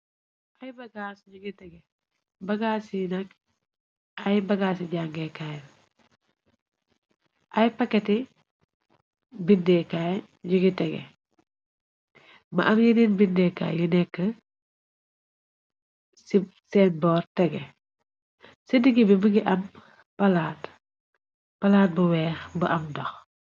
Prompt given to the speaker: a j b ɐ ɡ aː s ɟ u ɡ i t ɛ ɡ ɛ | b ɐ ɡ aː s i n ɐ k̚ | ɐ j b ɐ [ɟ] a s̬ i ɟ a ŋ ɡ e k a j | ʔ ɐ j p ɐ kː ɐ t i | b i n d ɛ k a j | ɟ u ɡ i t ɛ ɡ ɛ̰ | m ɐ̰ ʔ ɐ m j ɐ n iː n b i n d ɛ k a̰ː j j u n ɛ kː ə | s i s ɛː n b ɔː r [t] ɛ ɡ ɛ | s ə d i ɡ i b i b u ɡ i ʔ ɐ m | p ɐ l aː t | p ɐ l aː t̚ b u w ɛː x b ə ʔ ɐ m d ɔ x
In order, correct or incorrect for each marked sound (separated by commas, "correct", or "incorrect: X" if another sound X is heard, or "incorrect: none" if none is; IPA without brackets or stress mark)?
incorrect: ɡ, correct